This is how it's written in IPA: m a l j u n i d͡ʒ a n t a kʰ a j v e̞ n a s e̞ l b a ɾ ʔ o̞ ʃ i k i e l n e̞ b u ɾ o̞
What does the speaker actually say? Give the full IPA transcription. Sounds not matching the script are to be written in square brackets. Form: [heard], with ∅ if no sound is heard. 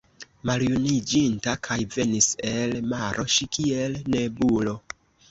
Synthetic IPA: m a l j u n i d͡ʒ [i] n t a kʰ a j v e̞ n [i] s e̞ l [m] a ɾ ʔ o̞ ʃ i k i e l n e̞ b u [l] o̞